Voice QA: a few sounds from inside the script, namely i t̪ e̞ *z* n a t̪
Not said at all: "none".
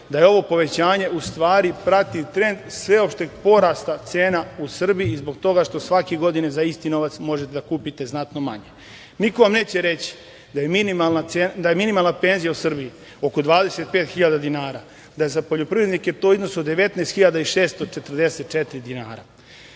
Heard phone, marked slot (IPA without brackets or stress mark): z